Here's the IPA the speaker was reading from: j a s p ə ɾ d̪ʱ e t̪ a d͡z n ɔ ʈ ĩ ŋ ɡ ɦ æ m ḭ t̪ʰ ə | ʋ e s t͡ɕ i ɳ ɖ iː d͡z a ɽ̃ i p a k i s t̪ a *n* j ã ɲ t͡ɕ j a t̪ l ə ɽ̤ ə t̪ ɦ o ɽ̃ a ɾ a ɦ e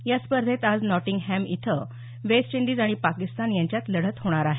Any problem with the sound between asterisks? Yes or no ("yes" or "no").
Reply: no